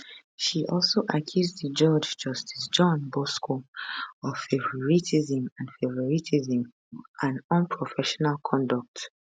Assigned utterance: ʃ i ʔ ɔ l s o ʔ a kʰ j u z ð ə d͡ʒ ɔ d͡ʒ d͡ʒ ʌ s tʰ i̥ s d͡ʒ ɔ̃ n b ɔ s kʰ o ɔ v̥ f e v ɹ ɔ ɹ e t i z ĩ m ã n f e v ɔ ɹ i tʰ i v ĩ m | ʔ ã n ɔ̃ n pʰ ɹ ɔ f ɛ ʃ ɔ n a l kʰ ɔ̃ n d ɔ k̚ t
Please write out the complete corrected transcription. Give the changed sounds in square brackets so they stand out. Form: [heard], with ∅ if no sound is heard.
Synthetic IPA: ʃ i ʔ ɔ l s o ʔ a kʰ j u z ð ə d͡ʒ ɔ d͡ʒ d͡ʒ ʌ s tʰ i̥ s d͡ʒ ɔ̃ n b ɔ s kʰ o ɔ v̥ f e v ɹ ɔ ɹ [i] t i z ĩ m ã n f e v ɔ ɹ i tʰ i [z] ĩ m | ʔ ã n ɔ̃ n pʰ ɹ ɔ f ɛ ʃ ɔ n a l kʰ ɔ̃ n d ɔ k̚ t